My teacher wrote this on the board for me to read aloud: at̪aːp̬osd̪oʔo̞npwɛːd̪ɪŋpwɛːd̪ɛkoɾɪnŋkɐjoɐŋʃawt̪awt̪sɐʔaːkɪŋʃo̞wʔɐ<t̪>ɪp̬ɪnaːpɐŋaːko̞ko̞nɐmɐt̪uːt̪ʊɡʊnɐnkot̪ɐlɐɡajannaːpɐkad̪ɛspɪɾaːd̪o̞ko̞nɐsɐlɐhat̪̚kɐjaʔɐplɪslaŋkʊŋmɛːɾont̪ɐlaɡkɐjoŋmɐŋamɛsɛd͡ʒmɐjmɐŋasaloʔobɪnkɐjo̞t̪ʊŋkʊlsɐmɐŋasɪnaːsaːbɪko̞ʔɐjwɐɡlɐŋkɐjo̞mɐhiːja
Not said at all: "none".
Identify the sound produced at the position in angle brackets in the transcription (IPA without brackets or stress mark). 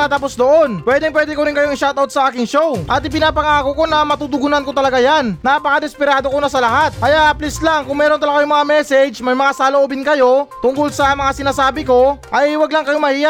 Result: t̪